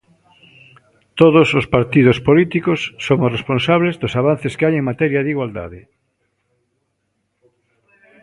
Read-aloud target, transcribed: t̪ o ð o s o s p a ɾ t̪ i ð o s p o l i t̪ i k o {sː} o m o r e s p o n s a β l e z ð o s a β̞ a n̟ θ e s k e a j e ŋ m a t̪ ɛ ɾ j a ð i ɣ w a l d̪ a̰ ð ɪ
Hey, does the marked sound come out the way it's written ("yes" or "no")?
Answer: yes